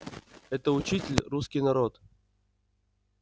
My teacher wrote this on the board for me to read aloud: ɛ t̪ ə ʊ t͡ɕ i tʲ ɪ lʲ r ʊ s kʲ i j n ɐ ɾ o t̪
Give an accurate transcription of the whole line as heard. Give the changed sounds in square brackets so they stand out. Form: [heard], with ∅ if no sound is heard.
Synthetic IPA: ɛ t̪ ə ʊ t͡ɕ i tʲ ɪ lʲ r [u] s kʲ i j n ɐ ɾ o t̪